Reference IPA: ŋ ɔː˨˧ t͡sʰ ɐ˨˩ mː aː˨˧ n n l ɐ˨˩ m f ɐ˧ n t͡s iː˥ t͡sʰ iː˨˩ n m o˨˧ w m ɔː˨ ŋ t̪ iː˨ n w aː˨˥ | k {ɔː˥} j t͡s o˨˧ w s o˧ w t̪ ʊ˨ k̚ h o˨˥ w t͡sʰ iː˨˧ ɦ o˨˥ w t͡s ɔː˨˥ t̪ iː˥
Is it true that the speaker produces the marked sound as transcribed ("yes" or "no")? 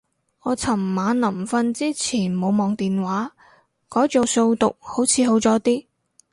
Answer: no